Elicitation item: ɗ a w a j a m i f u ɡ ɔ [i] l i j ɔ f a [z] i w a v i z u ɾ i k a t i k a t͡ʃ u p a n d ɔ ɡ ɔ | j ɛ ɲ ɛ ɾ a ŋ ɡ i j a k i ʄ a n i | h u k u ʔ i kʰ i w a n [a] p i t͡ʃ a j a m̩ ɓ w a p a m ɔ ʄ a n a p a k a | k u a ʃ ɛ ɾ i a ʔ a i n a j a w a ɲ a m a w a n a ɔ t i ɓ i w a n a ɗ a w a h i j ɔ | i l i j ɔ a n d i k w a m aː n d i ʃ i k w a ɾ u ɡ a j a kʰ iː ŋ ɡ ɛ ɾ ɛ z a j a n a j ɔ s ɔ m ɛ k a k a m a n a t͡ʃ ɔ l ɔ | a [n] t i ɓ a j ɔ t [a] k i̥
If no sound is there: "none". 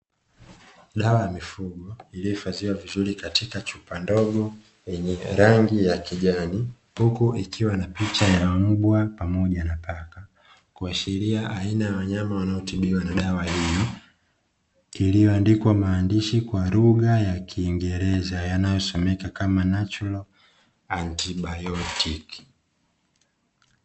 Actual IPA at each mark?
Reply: i, z, a, n, i

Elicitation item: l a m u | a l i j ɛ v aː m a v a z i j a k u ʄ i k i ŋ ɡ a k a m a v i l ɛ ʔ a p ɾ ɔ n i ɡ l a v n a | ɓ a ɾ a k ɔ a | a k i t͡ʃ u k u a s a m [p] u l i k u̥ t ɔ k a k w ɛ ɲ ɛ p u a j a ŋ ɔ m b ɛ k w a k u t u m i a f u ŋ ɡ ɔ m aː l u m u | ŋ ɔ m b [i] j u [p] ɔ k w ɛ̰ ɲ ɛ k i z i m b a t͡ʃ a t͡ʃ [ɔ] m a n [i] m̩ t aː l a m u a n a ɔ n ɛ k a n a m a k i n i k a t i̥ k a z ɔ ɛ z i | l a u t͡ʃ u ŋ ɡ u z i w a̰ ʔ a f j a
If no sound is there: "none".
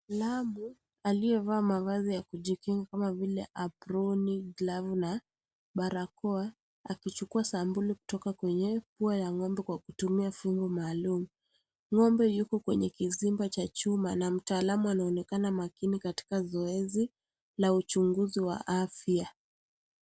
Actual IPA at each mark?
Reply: b, ɛ, k, u, a

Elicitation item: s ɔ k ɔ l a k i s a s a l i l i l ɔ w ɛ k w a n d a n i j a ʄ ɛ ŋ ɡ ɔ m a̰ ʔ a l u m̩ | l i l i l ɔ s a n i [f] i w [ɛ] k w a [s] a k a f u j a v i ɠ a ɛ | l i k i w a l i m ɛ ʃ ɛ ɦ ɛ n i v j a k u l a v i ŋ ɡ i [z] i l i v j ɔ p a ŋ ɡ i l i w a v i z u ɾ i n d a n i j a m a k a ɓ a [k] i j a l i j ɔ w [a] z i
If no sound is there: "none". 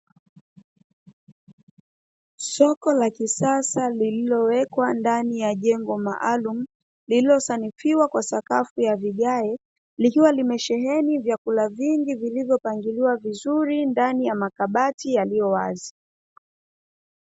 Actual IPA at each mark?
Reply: f, a, s, v, t, a

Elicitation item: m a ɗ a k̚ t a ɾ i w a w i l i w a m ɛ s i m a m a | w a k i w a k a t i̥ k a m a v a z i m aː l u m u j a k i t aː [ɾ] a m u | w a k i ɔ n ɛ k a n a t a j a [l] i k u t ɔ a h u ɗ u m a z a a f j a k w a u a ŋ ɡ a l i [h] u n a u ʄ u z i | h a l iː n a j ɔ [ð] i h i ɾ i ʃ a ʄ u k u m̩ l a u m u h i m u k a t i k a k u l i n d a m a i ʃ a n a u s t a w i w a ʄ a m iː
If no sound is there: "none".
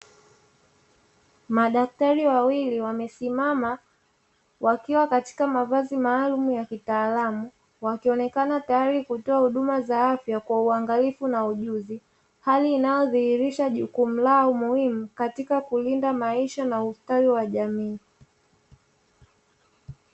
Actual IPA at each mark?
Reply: l, ɾ, f, ð

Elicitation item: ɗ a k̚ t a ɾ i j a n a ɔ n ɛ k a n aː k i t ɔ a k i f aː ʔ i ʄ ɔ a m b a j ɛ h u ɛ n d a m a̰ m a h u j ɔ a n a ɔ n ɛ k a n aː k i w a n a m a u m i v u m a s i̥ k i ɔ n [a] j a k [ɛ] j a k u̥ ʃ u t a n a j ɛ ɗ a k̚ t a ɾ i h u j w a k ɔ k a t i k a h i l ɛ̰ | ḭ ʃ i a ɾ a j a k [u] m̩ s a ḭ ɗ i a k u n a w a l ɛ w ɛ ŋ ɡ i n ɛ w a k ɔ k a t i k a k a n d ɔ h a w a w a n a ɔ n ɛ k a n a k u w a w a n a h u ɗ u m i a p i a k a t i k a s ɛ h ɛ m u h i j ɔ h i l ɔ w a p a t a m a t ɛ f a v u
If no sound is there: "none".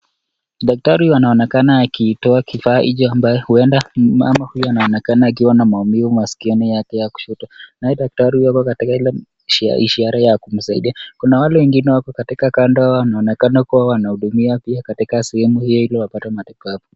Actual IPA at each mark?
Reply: i, ɛ, u

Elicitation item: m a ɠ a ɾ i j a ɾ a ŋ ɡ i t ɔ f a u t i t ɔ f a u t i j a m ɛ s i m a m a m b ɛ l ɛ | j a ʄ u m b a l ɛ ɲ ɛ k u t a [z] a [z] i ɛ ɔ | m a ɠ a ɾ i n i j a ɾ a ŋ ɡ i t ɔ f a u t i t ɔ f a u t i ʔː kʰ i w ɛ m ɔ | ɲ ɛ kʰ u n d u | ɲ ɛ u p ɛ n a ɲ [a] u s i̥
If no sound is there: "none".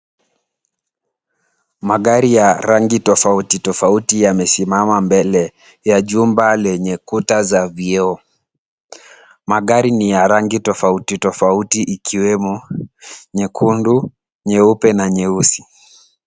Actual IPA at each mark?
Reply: z, v, ɛ

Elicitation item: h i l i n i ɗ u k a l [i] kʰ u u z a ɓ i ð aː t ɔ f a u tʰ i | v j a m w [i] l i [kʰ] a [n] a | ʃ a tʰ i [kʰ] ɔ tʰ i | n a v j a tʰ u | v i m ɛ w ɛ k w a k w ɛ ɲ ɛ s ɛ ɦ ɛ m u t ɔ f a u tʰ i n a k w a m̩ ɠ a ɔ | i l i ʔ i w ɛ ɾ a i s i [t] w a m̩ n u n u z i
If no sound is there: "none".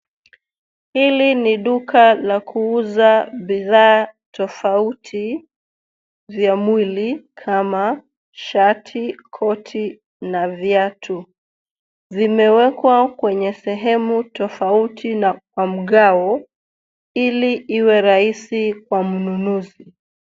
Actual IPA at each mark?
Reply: a, i, kʰ, m, kʰ, k

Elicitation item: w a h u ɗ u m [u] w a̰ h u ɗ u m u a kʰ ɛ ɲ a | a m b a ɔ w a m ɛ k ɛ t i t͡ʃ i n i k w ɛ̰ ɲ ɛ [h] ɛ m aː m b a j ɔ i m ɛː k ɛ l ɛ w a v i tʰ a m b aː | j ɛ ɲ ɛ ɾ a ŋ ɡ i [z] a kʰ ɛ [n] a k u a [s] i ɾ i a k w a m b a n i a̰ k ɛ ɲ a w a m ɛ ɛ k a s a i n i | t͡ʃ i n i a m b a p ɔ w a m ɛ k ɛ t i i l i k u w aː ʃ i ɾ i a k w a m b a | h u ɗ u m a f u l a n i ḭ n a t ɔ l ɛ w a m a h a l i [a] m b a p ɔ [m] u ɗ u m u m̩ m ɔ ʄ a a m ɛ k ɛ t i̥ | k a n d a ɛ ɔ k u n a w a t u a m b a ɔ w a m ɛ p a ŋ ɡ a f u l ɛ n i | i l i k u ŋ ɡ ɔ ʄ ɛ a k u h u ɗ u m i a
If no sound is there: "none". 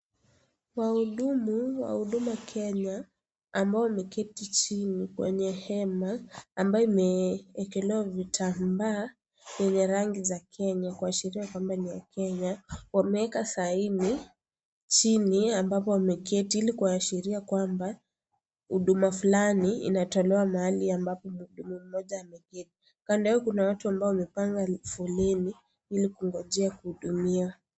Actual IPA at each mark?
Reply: u, h, z, ɲ, ʃ, a, m

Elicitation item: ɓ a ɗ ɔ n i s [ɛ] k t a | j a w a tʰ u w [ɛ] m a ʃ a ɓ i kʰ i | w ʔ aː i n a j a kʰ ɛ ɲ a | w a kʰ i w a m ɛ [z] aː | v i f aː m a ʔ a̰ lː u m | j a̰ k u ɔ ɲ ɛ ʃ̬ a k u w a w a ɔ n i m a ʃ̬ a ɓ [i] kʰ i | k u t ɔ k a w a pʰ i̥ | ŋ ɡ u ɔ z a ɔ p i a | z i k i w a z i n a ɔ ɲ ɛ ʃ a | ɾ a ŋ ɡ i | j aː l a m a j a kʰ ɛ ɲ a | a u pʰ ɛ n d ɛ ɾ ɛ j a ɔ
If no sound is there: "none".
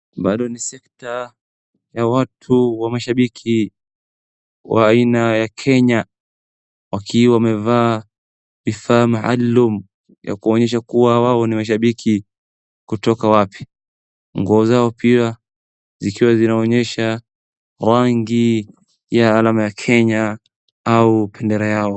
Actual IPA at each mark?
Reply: ɛ, a, v, i

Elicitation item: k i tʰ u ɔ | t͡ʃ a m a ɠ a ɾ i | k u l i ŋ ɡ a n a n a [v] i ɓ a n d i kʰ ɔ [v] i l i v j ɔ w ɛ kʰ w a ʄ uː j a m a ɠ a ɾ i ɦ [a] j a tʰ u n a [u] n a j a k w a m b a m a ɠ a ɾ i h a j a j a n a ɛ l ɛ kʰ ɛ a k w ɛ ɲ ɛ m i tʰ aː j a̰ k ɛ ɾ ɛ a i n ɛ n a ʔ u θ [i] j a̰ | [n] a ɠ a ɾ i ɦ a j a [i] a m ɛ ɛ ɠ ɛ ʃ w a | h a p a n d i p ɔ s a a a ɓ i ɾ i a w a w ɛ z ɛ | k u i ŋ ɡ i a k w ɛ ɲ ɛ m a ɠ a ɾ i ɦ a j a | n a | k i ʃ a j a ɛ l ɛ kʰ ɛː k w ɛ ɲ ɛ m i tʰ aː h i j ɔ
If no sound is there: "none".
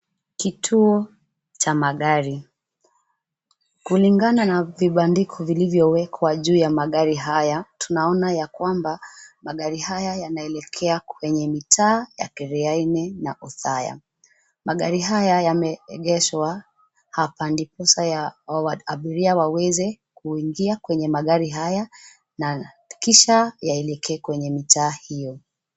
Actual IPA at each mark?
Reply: v, v, a, ɔ, a, m, j

